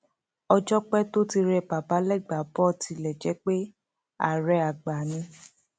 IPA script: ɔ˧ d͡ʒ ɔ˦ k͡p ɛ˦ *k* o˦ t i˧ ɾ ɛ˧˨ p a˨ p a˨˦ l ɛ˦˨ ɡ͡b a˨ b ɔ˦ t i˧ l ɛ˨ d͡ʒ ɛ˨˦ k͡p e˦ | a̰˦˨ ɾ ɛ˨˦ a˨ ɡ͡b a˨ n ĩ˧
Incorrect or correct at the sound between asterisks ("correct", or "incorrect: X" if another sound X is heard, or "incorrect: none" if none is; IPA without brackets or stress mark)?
incorrect: t